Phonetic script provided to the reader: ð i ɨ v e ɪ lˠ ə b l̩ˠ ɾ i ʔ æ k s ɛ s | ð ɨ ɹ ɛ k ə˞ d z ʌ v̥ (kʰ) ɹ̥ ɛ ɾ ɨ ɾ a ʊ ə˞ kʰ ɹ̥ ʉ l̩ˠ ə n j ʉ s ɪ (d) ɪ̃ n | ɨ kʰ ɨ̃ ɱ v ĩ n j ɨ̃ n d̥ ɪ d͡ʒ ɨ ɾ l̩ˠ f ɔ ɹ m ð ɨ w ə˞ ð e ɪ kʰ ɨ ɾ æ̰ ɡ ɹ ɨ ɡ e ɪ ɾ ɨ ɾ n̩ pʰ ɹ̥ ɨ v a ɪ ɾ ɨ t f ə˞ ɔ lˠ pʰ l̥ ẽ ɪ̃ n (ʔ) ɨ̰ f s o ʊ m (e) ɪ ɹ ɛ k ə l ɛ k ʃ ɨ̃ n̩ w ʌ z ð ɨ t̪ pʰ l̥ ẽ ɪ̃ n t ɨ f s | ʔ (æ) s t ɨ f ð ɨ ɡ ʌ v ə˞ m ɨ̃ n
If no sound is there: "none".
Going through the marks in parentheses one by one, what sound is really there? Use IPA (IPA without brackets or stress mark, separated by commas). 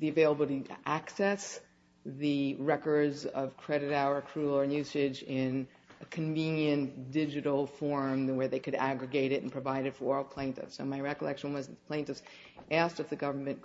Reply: kʰ, d͡ʒ, t, a, æ